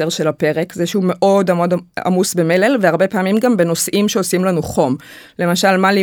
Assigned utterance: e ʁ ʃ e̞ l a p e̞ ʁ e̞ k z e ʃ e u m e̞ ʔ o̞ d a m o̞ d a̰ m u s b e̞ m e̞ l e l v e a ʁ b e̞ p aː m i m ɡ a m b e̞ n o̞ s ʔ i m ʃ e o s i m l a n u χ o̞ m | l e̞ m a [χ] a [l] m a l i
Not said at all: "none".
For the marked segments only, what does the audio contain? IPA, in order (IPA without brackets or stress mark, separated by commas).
ʃ, l